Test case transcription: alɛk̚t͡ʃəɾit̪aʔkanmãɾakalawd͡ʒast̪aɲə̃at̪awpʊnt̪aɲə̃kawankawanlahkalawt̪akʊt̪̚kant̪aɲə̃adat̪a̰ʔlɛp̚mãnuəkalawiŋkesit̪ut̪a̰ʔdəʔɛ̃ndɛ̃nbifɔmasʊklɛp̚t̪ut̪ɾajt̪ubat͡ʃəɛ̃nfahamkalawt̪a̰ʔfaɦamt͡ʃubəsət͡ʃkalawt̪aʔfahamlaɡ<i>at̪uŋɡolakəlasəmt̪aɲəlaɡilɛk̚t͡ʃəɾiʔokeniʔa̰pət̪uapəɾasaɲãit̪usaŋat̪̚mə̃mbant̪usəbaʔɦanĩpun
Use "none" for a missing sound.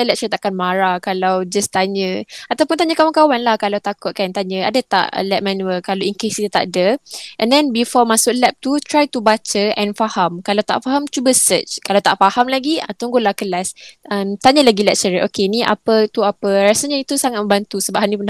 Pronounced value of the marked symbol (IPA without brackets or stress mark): i